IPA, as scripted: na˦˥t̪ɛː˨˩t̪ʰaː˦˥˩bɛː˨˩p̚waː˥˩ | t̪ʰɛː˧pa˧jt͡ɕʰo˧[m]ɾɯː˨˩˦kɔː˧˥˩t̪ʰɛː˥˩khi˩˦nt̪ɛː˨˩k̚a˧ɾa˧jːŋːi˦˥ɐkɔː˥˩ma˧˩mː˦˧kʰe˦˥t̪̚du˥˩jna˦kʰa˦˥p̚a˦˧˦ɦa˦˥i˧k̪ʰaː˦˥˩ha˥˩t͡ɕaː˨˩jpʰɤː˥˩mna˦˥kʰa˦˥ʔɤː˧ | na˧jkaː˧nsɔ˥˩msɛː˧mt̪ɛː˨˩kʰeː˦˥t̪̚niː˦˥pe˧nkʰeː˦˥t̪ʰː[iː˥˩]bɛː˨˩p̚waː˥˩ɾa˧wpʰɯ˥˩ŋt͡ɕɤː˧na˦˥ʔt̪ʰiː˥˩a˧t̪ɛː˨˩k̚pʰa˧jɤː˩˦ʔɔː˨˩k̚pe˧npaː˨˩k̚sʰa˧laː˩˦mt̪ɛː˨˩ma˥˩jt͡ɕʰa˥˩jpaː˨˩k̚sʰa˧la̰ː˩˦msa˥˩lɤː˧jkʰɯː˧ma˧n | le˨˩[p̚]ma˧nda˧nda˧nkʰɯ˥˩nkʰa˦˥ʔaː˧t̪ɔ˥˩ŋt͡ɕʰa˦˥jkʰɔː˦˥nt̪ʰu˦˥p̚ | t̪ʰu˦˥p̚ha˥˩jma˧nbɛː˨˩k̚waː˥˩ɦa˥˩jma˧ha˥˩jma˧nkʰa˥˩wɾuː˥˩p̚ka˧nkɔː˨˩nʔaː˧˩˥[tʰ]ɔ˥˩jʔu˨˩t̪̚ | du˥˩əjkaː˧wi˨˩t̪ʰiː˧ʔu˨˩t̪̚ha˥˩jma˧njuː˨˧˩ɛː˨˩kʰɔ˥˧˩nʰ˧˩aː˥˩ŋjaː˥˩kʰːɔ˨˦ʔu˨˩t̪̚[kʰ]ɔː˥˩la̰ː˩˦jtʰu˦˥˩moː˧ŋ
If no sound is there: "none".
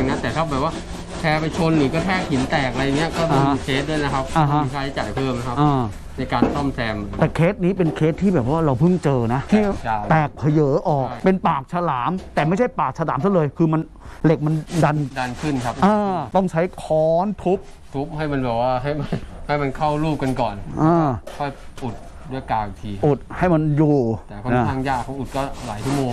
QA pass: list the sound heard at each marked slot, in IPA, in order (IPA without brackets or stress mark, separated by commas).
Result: n, iː˥˩, k̚, kʰ, k